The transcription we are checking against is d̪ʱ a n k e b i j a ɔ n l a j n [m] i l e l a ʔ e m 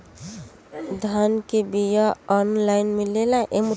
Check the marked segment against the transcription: correct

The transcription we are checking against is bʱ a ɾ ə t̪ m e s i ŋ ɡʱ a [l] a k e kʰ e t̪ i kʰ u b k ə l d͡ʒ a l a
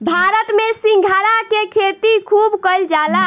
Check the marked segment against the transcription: incorrect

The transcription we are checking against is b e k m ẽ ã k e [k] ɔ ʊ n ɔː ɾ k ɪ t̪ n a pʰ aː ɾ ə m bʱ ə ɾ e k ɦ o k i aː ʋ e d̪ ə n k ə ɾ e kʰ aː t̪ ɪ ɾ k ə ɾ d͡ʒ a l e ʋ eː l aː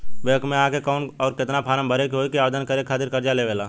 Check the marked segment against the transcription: correct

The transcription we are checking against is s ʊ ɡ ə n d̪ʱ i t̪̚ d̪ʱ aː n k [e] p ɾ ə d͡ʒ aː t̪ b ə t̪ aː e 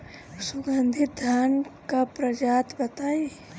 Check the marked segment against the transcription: incorrect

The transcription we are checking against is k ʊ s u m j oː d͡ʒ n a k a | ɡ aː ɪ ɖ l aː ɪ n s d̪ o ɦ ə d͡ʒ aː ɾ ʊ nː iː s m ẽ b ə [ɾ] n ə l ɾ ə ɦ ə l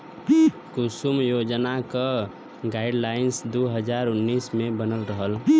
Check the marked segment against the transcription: incorrect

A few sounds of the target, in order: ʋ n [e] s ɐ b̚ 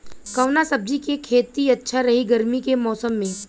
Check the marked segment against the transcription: incorrect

